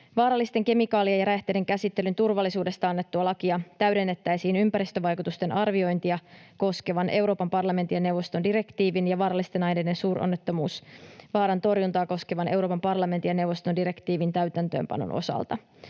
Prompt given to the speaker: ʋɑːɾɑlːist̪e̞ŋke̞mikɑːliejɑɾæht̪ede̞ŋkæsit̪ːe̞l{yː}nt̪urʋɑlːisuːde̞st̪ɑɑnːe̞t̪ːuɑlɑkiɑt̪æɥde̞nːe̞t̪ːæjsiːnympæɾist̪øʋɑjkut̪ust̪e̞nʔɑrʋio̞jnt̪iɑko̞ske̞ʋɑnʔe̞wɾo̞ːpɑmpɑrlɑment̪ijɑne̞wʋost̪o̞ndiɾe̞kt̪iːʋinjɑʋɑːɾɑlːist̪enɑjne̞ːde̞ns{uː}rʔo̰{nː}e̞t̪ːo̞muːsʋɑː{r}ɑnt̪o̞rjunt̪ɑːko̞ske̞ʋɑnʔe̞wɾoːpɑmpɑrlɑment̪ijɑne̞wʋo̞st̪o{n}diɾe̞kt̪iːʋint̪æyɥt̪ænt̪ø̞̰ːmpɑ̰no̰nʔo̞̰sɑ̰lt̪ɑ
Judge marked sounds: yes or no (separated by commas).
no, yes, yes, no, yes